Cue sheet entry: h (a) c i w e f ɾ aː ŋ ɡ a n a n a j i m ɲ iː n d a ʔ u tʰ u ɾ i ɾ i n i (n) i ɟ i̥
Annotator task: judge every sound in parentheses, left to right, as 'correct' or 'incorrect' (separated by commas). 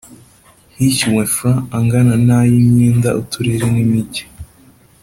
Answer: incorrect, incorrect